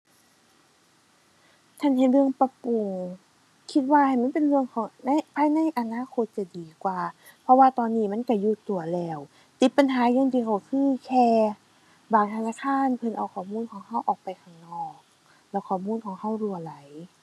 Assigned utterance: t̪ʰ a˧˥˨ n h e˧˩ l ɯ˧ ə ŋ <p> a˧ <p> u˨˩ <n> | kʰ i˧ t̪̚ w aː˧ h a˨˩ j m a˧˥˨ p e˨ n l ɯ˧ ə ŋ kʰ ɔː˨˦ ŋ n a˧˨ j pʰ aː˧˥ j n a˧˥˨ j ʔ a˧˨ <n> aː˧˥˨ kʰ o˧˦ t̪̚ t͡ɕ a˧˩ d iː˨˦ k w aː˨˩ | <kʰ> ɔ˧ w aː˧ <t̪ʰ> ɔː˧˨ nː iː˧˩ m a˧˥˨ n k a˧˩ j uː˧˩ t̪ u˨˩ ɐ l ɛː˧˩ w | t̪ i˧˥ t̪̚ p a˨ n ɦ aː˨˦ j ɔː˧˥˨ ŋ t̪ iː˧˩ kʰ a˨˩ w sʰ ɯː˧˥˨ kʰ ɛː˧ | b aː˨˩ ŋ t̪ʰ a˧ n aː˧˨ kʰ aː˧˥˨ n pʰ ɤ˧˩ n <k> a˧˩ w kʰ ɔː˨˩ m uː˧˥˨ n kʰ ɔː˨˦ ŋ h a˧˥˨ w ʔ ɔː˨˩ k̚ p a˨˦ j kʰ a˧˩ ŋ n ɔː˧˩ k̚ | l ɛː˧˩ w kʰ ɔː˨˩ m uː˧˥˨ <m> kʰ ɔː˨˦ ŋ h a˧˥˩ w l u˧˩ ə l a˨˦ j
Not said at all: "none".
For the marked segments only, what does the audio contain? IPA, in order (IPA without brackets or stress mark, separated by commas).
p, p, ŋ, n, pʰ, t̪, ʔ, n